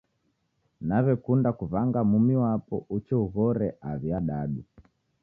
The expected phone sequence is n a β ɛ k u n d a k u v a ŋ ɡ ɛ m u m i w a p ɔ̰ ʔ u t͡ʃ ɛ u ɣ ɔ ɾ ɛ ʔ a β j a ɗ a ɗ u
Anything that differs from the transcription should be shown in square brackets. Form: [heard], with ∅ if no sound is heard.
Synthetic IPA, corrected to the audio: n a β ɛ k u n d a k u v a ŋ ɡ [a] m u m i w a p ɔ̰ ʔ u t͡ʃ ɛ u ɣ ɔ ɾ ɛ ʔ a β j a ɗ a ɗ u